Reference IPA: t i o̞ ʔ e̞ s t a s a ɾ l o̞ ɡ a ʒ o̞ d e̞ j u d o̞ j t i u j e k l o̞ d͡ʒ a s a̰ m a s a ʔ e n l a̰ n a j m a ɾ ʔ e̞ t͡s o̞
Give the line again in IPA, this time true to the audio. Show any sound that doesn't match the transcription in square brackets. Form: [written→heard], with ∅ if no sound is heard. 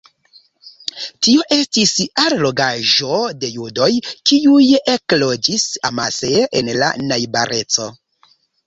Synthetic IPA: t i o̞ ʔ e̞ s t [a→i] s a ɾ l o̞ ɡ a ʒ o̞ d e̞ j u d o̞ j [t→k] i u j e k l o̞ d͡ʒ [a→i] s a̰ m a s [a→e] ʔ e n l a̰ n a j [m→b] a ɾ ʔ e̞ t͡s o̞